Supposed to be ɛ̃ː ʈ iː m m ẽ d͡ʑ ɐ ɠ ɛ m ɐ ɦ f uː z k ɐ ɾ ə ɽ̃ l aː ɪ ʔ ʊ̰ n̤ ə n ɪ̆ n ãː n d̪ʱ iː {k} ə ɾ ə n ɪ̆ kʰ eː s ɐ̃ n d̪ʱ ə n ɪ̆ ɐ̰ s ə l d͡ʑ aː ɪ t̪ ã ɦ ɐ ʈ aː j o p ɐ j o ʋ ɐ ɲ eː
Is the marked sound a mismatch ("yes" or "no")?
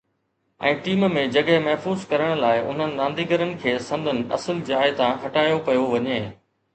yes